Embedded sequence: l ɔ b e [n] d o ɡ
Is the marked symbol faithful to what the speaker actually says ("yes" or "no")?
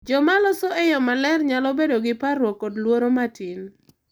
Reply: no